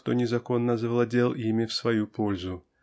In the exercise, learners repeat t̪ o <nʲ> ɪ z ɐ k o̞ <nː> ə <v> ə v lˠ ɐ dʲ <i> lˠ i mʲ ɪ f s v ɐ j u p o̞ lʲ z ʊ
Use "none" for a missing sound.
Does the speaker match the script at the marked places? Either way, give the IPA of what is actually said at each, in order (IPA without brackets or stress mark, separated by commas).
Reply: nʲ, nː, z, e